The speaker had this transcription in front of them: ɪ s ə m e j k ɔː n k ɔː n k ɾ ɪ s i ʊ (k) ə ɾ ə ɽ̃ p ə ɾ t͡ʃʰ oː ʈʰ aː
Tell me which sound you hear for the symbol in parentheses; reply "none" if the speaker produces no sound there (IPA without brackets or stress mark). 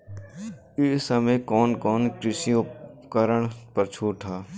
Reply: k